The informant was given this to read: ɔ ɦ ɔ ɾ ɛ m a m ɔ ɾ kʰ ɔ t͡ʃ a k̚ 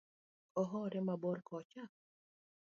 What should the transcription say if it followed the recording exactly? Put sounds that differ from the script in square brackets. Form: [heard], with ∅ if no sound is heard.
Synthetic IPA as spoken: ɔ ɦ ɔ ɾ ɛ m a [b] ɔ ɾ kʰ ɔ t͡ʃ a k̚